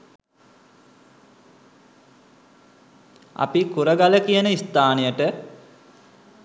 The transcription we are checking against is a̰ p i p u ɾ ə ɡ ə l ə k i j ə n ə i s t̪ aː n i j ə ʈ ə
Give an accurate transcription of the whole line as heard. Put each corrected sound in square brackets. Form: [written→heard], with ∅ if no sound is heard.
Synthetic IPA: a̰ p i [p→k] u ɾ ə ɡ [ə→a] l ə k i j ə n ə i s t̪ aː n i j ə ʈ ə